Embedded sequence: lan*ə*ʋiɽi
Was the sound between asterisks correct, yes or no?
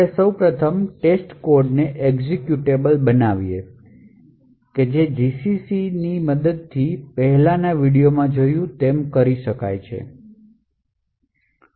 no